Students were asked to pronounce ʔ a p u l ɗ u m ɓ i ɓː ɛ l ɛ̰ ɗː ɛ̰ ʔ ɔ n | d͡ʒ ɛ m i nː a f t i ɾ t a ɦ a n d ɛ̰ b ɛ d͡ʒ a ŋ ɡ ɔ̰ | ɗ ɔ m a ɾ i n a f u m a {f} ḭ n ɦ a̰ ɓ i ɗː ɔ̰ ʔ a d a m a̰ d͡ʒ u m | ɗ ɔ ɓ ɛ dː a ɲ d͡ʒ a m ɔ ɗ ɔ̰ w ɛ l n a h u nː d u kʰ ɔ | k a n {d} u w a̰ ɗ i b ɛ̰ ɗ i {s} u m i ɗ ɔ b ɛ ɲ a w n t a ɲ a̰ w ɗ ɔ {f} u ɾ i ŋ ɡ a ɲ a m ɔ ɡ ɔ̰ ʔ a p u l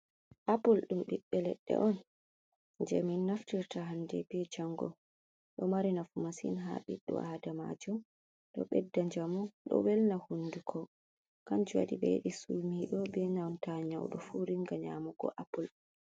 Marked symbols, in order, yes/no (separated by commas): no, no, yes, yes